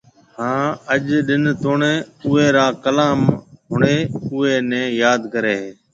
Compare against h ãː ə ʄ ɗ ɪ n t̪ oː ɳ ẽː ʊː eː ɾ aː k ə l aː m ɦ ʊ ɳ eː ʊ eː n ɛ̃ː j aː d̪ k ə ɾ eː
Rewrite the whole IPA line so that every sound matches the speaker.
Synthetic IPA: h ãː ə ʄ ɗ ɪ n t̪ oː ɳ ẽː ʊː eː ɾ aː k ə l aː m ɦ ʊ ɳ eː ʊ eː n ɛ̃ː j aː d̪ k ə ɾ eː